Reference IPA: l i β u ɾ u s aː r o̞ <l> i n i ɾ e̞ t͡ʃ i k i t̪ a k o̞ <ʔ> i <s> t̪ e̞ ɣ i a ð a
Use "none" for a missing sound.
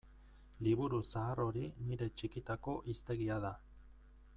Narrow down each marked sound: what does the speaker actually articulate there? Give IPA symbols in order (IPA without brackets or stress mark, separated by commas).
ɾ, ʔ, s